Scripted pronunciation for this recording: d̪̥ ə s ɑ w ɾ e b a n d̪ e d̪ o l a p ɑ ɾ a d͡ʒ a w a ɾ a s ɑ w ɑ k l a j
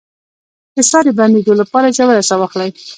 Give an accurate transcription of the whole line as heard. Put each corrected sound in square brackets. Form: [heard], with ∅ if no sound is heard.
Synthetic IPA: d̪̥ ə s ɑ [∅] ɾ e b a n d̪ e d̪ o l a p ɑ ɾ a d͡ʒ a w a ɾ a s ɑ w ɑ [x] l a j

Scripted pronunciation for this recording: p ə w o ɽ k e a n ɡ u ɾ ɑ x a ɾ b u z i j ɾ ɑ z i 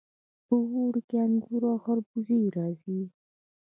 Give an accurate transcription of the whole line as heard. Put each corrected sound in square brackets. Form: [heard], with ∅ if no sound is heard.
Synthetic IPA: p ə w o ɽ k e a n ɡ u ɾ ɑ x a ɾ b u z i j ɾ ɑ z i

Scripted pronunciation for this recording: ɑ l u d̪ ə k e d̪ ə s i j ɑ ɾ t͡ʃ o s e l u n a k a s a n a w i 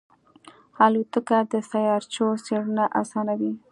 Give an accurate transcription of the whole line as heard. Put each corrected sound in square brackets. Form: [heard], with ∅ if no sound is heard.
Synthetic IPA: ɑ l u [t̪] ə k [a] d̪ ə s [a] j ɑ ɾ t͡ʃ o s e [ɽ] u n a [ʔ] a s [ɑ] n a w i

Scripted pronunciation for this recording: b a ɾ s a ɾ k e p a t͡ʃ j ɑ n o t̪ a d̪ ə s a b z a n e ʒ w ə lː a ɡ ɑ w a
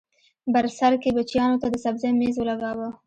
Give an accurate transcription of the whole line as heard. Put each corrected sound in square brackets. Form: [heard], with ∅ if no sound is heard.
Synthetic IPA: b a ɾ s a ɾ k e [b] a t͡ʃ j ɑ n o t̪ a d̪ ə s a b z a [m] e [z] w ə [l] a ɡ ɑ w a

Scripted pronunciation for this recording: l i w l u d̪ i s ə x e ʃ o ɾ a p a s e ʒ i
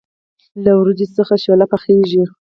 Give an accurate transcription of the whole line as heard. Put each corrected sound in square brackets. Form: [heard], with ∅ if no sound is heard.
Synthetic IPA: l [a] w [ɾ] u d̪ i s ə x [a] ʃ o [l] a p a [x] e ʒ i

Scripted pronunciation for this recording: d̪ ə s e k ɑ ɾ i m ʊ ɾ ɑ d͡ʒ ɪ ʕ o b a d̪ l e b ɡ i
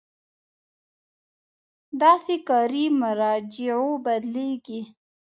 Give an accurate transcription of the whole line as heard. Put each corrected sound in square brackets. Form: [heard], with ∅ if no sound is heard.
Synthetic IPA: d̪ [ɑ] s e k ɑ ɾ i m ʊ ɾ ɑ d͡ʒ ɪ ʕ o b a d̪ l e [∅] ɡ i

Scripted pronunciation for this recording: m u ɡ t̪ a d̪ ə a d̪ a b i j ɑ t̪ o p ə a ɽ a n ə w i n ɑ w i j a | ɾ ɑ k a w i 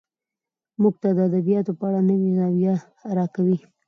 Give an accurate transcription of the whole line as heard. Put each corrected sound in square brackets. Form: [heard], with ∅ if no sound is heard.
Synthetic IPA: m u ɡ t̪ a d̪ ə a d̪ a b i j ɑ t̪ o p ə a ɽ a n ə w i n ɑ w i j a | ɾ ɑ k a w i

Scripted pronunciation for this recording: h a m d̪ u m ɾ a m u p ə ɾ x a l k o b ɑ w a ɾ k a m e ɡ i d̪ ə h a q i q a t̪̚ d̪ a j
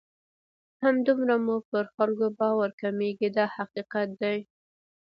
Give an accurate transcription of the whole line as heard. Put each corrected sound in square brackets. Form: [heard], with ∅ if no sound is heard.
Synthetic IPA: h a m d̪ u m ɾ a m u p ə ɾ x a l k o b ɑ w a ɾ k a m e ɡ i d̪ [ɑ] h a q i q a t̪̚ d̪ a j

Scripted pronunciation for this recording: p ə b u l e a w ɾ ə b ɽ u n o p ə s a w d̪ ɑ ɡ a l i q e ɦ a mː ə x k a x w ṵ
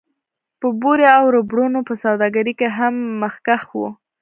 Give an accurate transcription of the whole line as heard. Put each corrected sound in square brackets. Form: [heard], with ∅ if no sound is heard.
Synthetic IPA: p ə b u [ɾ] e a w ɾ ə b ɽ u n o p ə s a w d̪ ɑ ɡ a [ɾ] i [k] e ɦ a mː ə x k a x w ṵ

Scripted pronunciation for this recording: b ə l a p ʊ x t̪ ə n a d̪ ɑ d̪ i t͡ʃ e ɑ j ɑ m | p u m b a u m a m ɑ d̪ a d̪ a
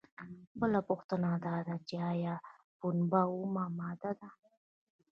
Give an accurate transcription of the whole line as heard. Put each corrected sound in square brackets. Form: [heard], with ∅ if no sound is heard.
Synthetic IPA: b ə l a p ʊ x t̪ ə n a d̪ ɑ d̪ [a] t͡ʃ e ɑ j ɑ [∅] | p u [n] b a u m a m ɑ d̪ a d̪ a

